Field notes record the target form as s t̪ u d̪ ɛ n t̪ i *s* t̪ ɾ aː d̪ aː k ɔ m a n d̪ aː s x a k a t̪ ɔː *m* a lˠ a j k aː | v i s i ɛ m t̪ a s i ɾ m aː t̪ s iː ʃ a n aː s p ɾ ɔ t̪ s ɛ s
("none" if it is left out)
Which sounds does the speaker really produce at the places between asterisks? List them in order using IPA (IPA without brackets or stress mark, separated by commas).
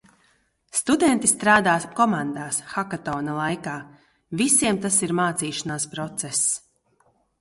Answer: s, n